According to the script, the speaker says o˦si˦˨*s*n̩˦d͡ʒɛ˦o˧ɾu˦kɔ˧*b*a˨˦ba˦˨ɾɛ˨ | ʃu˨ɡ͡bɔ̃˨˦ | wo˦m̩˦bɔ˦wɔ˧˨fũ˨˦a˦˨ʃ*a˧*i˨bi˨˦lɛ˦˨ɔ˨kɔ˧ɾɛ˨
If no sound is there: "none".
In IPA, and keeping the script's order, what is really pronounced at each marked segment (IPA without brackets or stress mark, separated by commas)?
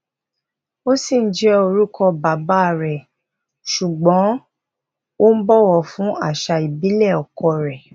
none, b, a˧